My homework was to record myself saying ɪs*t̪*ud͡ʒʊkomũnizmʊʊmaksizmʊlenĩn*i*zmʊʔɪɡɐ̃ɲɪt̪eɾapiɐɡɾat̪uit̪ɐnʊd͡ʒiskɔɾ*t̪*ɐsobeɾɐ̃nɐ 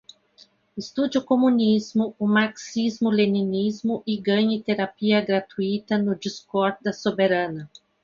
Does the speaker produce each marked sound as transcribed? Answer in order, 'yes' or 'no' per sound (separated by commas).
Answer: yes, yes, no